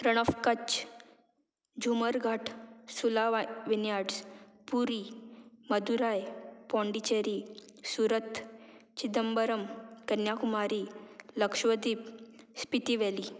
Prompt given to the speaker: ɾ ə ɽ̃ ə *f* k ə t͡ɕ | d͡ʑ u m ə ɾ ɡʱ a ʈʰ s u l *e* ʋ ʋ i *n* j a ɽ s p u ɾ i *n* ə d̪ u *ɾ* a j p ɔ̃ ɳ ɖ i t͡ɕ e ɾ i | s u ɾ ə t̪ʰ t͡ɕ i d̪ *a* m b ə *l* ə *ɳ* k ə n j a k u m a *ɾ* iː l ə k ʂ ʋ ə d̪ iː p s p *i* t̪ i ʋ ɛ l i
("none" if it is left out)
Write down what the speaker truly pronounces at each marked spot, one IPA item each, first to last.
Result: f, a, n, m, ɾ, ə, ɾ, m, ɾ, i

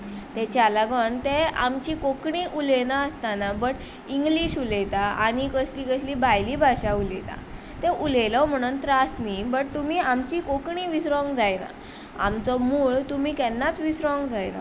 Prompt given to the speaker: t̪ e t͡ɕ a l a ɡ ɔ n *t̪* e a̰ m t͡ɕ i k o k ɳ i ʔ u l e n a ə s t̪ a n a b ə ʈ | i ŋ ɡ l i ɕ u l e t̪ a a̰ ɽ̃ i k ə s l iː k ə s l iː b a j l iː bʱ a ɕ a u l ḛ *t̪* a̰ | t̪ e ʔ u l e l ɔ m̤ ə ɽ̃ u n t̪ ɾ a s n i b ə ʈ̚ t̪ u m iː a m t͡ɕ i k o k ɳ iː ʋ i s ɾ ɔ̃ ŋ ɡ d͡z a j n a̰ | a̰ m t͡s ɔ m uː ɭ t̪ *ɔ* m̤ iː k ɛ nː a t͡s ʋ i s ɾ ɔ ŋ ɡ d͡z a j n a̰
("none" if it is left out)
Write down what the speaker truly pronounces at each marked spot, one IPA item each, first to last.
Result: t̪, t̪, u

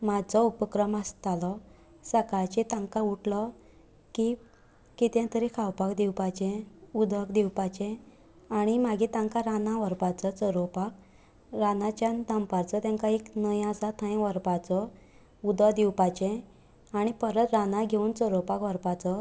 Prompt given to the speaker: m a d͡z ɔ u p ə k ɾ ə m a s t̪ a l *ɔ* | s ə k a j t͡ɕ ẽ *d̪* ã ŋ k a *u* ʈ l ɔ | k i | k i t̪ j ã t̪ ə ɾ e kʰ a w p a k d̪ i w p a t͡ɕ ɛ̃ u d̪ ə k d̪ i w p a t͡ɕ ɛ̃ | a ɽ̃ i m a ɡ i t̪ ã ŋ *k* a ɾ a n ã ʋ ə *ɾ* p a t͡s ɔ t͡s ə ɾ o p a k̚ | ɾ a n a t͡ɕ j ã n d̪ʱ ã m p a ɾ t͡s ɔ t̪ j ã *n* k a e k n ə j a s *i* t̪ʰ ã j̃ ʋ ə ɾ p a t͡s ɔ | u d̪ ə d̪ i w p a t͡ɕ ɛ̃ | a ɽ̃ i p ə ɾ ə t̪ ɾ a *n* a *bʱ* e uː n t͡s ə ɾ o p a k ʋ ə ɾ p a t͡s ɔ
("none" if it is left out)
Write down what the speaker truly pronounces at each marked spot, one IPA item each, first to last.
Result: ɔ, t̪, u, k, ɾ, ŋ, a, n, ɡʱ

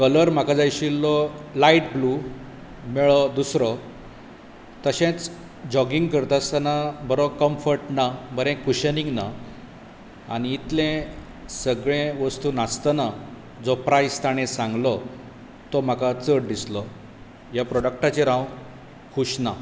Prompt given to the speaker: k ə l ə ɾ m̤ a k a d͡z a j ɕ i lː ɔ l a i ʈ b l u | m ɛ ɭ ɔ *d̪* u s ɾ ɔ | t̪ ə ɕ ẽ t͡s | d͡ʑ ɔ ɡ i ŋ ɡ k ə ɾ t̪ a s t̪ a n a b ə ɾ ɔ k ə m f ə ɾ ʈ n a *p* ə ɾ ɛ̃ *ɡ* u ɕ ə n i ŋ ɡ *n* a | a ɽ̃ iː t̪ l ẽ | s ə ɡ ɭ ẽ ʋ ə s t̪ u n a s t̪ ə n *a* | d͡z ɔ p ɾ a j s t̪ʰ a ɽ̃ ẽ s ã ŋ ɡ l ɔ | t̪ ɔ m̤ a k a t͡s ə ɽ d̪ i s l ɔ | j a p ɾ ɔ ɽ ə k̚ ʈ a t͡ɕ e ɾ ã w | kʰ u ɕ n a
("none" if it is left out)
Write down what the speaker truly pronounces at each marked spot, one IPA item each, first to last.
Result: d̪, b, k, n, a

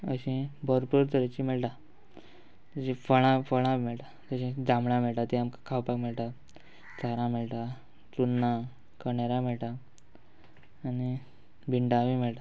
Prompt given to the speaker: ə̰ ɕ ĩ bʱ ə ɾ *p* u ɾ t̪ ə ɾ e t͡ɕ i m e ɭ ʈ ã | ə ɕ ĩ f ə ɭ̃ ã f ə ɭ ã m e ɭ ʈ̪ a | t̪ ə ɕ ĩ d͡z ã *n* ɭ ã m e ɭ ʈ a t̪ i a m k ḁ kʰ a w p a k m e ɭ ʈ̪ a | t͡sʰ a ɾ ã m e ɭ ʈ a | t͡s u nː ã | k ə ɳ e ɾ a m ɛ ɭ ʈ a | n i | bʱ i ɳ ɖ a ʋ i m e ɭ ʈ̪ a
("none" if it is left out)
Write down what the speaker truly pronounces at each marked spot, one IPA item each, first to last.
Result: p, m

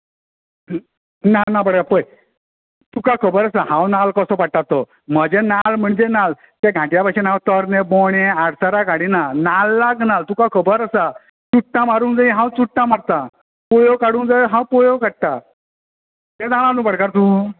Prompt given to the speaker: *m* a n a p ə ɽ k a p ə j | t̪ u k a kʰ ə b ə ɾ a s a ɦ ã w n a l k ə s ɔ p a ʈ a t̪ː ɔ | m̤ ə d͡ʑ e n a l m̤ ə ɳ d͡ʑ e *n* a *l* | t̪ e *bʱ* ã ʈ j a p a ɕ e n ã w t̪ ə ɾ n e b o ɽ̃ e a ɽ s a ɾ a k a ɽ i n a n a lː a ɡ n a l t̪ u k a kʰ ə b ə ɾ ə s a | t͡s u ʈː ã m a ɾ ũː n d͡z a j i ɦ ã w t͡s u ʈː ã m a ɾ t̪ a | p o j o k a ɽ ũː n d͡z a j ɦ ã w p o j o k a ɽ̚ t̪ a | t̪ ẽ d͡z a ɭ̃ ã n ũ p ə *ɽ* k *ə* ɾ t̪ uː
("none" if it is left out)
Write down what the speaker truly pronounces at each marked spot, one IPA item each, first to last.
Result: n, n, l, ɡʱ, ɽ, a

